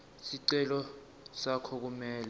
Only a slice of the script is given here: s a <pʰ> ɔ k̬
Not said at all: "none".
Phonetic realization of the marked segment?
kʰ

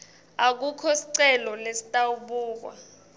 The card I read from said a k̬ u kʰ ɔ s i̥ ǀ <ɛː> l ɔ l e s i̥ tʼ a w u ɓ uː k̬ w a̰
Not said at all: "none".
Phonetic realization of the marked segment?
ɛ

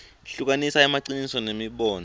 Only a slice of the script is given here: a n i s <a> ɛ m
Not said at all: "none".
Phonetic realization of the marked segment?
a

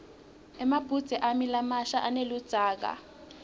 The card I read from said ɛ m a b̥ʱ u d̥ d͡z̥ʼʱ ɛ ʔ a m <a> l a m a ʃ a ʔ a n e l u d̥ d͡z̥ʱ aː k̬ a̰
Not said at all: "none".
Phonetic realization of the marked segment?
i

